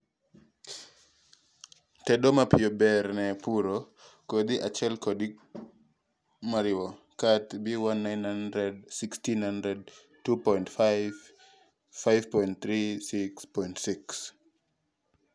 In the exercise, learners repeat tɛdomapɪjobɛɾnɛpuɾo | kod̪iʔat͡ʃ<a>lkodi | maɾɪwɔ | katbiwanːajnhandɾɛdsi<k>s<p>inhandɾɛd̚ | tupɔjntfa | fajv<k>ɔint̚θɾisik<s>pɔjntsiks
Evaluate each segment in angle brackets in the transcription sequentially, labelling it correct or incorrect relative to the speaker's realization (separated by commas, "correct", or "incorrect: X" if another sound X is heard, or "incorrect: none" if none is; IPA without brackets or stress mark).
incorrect: ɛ, correct, incorrect: t, incorrect: p, correct